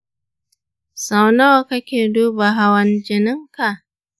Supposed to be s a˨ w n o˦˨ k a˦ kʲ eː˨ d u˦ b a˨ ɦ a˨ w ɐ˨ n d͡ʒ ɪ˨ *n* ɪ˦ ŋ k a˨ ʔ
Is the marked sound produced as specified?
yes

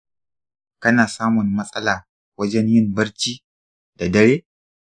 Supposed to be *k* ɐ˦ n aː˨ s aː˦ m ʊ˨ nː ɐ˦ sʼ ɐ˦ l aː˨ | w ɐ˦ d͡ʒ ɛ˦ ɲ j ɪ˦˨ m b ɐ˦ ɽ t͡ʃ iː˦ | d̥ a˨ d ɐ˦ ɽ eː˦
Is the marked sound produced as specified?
yes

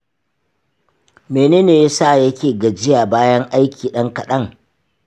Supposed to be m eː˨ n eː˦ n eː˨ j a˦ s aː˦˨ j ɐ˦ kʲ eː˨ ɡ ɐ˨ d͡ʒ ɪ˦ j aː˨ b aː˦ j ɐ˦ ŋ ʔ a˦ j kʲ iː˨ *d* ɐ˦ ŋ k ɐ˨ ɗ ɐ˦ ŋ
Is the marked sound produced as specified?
no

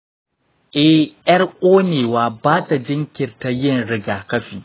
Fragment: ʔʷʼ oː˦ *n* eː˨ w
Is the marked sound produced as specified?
yes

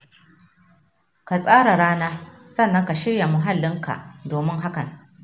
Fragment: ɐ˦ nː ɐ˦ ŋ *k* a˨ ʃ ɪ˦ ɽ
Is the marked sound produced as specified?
yes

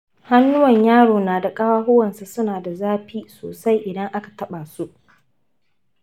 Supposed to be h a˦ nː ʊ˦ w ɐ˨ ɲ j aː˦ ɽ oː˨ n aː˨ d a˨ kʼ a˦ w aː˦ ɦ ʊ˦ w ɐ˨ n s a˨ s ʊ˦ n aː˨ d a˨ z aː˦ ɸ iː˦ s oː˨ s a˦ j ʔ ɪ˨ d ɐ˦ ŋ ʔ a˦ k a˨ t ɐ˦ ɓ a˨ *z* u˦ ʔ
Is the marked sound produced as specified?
no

